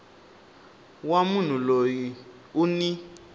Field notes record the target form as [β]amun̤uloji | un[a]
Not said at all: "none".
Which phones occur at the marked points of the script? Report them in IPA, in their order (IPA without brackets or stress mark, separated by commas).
w, i